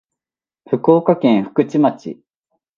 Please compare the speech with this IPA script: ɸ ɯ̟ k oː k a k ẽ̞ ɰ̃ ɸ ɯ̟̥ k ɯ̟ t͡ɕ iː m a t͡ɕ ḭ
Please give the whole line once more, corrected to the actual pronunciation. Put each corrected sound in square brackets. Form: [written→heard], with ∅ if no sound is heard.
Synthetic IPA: ɸ ɯ̟ k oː k a k ẽ̞ ɰ̃ ɸ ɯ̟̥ k ɯ̟ t͡ɕ [iː→i] m a t͡ɕ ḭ